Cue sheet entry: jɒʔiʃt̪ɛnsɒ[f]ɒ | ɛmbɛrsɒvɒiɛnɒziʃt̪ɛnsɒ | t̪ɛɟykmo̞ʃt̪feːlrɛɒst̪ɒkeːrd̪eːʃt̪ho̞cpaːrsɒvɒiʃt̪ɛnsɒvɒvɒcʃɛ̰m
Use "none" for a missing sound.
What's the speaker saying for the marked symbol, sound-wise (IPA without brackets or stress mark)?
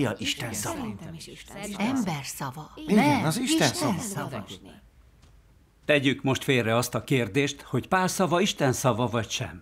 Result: v